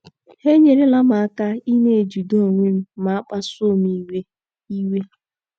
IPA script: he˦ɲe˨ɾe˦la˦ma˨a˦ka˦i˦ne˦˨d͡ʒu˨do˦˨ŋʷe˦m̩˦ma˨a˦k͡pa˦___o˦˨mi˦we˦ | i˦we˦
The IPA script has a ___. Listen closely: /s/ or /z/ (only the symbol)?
s